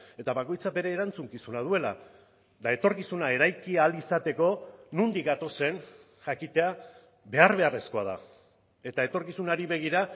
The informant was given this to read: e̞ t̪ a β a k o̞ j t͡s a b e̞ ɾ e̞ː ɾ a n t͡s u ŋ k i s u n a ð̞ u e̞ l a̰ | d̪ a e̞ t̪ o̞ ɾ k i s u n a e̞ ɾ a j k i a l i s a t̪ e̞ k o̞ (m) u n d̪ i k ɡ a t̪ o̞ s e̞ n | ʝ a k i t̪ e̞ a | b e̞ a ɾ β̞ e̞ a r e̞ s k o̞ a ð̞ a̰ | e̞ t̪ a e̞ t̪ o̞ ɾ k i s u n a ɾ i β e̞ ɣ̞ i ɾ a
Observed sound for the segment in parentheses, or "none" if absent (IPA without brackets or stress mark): n